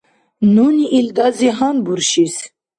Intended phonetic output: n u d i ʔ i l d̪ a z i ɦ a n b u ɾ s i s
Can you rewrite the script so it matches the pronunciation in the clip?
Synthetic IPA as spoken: n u n i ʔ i l d̪ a z i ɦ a n b u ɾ ʃ i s